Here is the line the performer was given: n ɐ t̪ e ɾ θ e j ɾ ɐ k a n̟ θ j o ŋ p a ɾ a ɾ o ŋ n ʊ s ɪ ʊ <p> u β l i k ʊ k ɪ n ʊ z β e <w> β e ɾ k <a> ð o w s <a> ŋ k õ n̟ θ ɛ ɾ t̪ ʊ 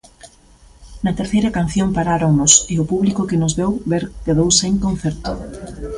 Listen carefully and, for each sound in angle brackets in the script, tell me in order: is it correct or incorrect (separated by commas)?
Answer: correct, correct, incorrect, incorrect